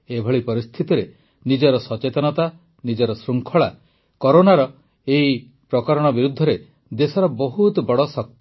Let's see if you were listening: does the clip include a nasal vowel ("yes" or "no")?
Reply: no